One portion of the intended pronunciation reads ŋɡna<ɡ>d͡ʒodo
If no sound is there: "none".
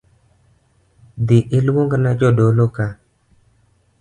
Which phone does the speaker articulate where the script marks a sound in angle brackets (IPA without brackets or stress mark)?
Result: none